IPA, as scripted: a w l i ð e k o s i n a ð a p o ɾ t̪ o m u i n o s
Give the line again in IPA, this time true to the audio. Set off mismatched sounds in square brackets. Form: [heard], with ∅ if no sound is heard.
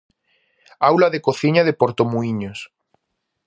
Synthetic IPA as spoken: a w l [a] ð e k o [θ] i [ɲ] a ð [e] p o ɾ t̪ o m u i [ɲ] o s